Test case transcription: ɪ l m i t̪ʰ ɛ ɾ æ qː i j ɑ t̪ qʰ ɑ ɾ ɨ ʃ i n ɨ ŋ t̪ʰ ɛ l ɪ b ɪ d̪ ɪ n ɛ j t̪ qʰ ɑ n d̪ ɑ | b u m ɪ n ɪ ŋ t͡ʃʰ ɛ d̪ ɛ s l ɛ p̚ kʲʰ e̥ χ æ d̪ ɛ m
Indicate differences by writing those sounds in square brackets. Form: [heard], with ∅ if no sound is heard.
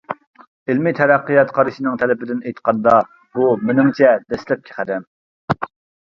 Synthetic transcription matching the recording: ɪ l m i t̪ʰ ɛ ɾ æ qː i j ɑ t̪ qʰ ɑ ɾ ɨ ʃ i n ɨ ŋ t̪ʰ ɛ l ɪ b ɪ d̪ ɪ n [e] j t̪ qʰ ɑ n d̪ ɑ | b u m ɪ n ɪ ŋ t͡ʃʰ ɛ d̪ ɛ s l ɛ p̚ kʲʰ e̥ χ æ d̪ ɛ m